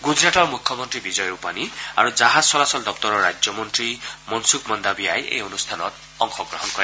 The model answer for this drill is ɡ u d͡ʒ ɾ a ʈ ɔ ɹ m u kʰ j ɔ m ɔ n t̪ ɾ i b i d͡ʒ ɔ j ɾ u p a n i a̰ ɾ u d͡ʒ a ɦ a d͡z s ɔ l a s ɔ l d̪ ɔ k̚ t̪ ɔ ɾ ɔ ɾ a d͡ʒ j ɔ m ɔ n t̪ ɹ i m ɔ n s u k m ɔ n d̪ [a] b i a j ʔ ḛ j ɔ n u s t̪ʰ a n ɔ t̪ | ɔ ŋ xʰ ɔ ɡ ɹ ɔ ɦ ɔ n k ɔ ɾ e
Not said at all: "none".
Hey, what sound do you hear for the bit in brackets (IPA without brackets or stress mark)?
a